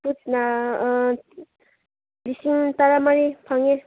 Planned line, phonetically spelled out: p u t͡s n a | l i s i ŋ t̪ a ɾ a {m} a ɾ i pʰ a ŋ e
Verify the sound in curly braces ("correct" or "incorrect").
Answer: correct